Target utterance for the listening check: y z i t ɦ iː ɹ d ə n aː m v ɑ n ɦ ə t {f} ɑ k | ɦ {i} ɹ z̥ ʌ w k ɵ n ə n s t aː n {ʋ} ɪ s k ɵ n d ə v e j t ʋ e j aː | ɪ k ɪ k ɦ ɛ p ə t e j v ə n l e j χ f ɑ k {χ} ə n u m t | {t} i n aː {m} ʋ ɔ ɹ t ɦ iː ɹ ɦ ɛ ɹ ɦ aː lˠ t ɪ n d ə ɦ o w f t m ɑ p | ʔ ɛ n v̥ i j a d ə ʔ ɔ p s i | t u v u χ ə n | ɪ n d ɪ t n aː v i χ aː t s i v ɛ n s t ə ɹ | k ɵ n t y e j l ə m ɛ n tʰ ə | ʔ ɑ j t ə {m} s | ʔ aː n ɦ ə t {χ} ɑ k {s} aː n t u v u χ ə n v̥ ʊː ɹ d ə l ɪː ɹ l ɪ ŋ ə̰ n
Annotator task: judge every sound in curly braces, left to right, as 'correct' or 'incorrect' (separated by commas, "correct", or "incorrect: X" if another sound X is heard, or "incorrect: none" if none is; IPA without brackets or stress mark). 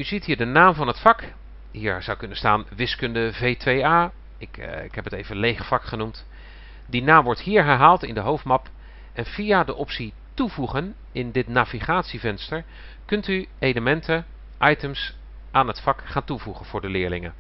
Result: correct, incorrect: iː, correct, correct, incorrect: d, correct, correct, incorrect: f, incorrect: χ